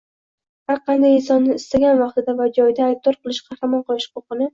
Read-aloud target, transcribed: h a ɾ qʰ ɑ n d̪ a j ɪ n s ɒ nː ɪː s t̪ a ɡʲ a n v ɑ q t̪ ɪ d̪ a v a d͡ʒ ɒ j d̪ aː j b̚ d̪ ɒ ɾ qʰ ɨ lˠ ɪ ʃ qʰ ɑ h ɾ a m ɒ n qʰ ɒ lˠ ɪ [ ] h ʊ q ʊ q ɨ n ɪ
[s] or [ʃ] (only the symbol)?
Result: ʃ